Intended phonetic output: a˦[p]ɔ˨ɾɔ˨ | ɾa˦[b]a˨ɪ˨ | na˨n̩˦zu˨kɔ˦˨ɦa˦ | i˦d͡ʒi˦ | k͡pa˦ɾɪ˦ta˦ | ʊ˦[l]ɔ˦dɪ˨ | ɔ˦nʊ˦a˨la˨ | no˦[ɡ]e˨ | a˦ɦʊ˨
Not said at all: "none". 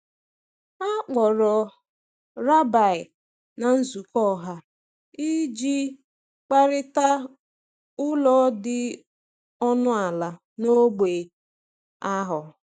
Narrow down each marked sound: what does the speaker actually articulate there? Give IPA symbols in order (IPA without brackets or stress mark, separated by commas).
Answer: k͡p, b, l, ɡ͡b